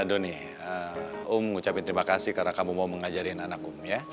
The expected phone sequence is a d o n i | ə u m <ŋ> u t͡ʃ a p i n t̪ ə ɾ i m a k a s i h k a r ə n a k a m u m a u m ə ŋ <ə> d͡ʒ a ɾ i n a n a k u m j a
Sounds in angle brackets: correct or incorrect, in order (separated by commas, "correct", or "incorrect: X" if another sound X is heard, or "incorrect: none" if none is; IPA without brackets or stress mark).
correct, incorrect: a